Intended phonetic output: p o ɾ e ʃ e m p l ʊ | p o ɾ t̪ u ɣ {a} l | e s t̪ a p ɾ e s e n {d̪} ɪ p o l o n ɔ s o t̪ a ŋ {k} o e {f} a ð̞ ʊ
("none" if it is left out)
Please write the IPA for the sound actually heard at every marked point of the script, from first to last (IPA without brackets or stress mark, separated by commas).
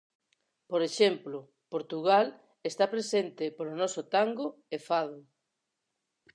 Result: a, t̪, ɡ, f